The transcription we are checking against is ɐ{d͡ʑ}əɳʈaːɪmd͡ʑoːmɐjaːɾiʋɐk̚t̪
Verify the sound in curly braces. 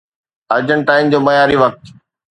correct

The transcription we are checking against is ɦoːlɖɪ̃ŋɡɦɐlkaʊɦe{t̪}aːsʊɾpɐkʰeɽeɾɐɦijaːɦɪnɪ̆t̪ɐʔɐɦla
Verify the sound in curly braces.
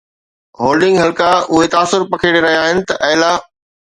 correct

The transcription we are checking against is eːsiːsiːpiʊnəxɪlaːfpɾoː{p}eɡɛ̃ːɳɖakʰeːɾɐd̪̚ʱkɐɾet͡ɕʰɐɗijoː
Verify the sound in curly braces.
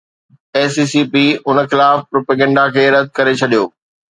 correct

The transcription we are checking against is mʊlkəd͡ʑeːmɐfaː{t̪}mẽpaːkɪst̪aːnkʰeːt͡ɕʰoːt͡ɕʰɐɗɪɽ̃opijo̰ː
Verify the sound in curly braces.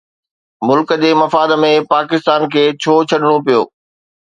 incorrect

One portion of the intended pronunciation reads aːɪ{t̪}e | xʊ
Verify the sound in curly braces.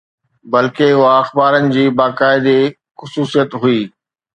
incorrect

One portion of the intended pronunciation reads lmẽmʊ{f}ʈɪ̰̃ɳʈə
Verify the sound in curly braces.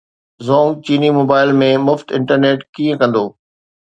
correct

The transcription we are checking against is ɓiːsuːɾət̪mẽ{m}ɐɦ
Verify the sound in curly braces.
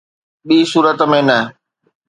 incorrect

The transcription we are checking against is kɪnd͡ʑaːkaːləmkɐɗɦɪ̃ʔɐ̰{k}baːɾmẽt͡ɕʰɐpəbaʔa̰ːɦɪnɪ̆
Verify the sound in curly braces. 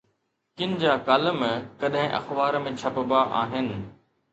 incorrect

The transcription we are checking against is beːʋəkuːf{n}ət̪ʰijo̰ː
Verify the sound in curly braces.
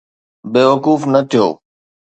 correct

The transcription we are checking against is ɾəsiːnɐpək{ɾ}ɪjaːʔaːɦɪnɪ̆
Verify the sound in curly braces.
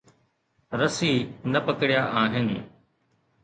incorrect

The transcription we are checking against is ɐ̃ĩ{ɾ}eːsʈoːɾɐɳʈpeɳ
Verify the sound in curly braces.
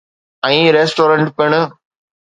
correct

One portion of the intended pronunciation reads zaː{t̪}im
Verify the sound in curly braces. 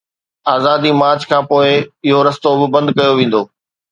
incorrect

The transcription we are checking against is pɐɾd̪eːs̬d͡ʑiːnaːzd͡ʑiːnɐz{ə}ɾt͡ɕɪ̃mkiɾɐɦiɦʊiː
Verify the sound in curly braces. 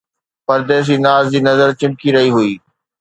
correct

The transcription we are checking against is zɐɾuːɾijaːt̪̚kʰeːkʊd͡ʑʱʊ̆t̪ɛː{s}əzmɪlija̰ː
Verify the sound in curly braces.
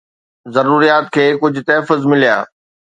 incorrect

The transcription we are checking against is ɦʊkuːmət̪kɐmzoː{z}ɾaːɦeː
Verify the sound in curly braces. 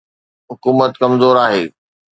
incorrect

